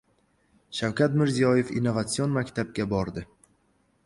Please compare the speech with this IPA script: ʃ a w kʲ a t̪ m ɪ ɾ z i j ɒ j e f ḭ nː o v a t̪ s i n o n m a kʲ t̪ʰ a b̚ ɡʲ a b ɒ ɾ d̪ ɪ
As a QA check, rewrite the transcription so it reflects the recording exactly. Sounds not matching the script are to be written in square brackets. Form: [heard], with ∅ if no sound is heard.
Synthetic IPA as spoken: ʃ a w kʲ a t̪ m ɪ ɾ z i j ɒ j e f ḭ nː o v a t̪ s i [∅] o n m a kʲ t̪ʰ a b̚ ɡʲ a b ɒ ɾ d̪ ɪ